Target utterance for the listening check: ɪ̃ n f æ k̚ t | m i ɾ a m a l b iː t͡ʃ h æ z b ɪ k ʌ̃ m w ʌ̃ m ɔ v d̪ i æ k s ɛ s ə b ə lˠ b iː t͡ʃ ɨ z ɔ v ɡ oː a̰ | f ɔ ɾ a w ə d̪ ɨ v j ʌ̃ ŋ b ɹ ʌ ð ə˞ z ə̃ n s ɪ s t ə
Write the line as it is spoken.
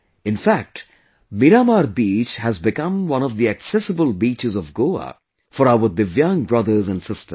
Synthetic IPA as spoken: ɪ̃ n f æ k̚ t | m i ɾ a m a ɾ b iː t͡ʃ h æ z b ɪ k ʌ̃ m w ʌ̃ n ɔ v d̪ i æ k s ɛ s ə b ə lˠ b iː t͡ʃ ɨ z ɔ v ɡ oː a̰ | f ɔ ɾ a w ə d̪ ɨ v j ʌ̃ ŋ b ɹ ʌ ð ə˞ z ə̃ n s ɪ s t ə

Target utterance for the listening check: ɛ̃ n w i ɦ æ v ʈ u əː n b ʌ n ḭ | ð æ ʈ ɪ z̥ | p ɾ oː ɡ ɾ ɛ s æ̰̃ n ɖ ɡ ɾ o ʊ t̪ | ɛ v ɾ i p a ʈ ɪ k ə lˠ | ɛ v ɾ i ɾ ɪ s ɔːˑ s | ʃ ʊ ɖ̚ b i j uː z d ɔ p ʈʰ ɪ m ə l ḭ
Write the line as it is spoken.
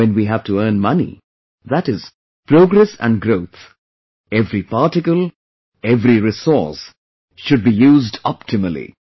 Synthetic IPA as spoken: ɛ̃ n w i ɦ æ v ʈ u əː n m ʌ n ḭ | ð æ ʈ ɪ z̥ | p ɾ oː ɡ ɾ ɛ s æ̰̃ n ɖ ɡ ɾ o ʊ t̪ | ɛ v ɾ i p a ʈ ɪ k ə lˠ | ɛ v ɾ i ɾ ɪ s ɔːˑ s | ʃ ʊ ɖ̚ b i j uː z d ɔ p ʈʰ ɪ m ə l ḭ

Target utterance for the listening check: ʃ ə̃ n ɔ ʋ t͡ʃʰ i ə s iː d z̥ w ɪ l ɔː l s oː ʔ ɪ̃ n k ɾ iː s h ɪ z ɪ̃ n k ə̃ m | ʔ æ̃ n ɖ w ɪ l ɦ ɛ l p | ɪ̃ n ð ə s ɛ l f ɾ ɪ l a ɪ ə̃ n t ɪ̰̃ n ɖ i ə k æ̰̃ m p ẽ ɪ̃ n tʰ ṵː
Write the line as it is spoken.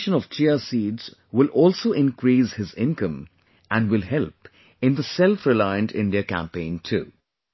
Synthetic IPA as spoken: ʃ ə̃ n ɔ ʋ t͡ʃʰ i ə s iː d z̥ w ɪ l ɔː l s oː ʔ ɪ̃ n k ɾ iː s h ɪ z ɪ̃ n k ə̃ m | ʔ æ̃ n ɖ w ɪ l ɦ ɛ l p | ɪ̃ n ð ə s ɛ l f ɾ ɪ l a ɪ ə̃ n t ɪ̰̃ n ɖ i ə k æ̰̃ m p ẽ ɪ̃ n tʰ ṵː

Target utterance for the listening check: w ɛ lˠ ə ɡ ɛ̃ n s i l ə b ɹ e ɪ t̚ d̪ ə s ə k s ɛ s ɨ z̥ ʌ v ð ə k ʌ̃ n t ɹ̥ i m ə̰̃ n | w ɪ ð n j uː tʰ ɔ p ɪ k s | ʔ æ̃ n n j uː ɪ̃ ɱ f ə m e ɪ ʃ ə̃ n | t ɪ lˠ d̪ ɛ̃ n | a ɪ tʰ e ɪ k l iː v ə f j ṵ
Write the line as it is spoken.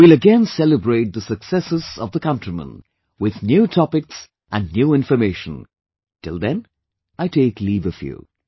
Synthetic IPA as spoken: w i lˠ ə ɡ ɛ̃ n s ɛ l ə b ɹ e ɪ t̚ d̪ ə s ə k s ɛ s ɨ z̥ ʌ v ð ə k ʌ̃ n t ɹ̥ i m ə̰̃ n | w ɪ ð n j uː tʰ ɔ p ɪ k s | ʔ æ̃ n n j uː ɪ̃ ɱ f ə m e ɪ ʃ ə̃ n | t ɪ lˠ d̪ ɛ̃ n | a ɪ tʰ e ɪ k l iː v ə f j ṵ

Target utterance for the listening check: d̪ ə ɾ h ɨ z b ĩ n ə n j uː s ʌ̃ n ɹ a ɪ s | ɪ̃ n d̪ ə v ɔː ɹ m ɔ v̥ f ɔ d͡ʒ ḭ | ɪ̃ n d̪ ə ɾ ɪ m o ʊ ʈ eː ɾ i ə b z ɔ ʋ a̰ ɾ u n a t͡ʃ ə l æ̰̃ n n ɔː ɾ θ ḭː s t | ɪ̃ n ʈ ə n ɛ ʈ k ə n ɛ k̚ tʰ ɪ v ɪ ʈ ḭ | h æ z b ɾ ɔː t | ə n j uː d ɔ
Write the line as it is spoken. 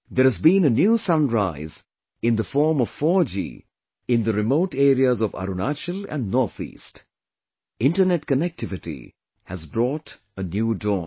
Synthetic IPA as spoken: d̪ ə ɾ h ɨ z b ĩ n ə n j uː s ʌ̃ n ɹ a ɪ z | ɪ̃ n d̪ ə f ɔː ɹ m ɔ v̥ f ɔ d͡ʒ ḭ | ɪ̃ n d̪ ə ɾ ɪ m o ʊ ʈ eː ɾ i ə z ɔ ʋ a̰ ɾ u n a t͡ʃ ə l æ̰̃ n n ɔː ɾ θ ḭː s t | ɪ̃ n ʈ ə n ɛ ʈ k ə n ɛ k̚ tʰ ɪ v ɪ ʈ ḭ | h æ z b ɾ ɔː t | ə n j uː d ɔ

